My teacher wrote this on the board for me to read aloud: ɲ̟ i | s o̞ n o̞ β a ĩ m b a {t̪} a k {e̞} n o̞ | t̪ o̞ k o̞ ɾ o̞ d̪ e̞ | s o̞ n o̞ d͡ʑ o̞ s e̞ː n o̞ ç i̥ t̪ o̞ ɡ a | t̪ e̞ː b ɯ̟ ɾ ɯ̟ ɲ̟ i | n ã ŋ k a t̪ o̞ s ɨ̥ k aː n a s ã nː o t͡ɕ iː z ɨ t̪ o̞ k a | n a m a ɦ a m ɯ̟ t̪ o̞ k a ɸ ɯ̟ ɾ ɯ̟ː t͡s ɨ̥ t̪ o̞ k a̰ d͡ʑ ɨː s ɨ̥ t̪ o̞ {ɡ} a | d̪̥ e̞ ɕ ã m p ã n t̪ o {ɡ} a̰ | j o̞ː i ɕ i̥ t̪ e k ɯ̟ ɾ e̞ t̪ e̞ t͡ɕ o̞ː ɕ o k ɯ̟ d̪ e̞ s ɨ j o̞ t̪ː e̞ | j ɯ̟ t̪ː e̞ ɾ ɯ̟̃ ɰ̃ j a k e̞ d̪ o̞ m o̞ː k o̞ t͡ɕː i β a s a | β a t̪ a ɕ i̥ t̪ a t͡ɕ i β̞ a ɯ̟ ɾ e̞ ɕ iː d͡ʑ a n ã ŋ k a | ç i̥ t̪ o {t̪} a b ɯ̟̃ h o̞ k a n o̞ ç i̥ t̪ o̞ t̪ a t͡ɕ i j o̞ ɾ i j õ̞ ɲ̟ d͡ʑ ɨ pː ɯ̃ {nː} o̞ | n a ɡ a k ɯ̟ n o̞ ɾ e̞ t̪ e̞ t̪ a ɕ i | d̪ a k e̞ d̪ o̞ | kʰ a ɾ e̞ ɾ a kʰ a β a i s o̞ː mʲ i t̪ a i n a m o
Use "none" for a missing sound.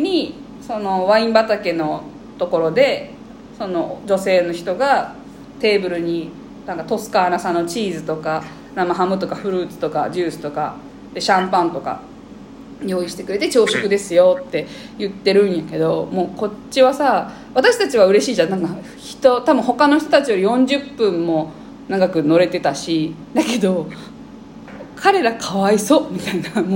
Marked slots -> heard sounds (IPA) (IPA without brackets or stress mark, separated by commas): t̪, e̞, k, k, t̪, mː